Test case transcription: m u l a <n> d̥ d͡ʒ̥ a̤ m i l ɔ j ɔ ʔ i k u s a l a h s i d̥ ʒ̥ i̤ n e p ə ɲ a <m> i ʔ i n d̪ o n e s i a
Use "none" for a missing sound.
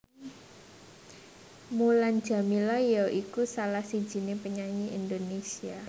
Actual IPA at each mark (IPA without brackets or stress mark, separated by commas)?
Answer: n, ɲ